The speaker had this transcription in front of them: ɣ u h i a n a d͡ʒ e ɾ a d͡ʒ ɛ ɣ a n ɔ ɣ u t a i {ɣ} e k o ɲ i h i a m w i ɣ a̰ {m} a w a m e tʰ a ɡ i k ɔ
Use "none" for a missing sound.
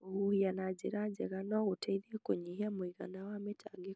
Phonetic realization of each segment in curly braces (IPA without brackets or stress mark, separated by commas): ð, n